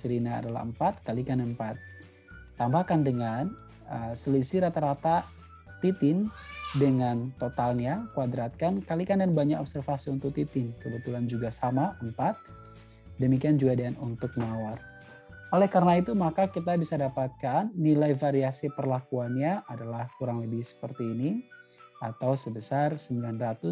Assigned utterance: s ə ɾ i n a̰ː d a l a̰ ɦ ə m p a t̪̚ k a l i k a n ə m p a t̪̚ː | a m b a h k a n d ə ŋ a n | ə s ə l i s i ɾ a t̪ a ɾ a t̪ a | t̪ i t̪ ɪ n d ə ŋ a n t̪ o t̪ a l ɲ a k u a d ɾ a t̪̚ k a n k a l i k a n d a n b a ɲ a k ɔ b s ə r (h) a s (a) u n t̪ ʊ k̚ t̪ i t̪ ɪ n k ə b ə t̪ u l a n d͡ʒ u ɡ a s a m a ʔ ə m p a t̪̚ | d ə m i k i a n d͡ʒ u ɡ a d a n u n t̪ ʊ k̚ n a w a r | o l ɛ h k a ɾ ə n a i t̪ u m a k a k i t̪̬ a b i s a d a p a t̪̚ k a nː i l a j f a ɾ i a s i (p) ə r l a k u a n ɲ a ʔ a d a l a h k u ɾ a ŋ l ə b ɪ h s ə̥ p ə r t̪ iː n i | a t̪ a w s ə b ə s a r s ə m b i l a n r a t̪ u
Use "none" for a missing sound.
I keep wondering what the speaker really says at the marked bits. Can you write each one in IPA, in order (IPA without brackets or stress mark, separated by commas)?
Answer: f, i, p